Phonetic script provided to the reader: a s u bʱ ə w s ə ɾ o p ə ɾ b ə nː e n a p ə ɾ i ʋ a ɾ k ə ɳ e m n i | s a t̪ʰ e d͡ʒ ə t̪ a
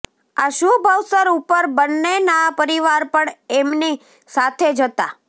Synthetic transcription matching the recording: a ʃ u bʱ ə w s ə ɾ u p ə ɾ b ə nː e n a p ə ɾ i ʋ a ɾ p ə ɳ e m n i | s a t̪ʰ e d͡ʒ ə t̪ a